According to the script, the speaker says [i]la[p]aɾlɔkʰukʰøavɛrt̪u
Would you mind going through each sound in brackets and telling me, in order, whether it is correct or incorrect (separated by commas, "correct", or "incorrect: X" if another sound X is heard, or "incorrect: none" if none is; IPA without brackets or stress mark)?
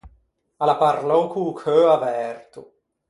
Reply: incorrect: a, correct